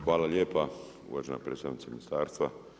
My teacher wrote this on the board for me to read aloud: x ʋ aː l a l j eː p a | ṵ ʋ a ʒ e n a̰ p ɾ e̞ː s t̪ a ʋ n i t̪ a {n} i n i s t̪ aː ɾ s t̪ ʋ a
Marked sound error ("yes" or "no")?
yes